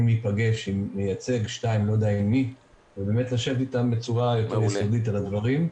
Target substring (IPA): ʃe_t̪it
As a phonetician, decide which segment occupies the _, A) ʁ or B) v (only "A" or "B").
B